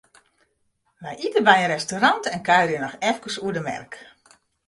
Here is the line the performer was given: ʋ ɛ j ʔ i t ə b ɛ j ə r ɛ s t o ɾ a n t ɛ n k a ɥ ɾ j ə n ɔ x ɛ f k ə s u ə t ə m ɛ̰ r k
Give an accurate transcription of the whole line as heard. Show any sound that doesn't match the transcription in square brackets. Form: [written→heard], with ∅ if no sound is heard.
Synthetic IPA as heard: ʋ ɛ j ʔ i t ə b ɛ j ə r ɛ s t o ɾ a n t ɛ n k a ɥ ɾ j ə n ɔ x ɛ f k ə s u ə [t→d] ə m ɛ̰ r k